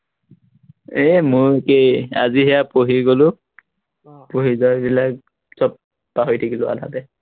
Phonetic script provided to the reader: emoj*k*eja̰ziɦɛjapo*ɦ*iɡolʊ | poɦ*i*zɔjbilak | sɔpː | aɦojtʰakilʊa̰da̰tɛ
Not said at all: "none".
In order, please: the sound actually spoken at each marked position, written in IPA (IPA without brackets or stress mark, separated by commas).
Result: k, ɦ, i